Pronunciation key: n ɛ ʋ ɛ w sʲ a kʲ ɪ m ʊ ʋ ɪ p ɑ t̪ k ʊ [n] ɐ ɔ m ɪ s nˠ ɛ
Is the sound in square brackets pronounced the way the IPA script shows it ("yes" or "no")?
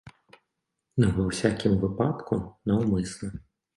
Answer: yes